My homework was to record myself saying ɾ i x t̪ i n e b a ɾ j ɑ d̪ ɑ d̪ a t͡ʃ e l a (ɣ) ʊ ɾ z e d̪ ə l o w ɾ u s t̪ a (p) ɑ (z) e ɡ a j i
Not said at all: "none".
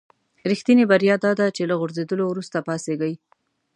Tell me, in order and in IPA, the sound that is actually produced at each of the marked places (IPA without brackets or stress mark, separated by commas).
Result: ɣ, p, s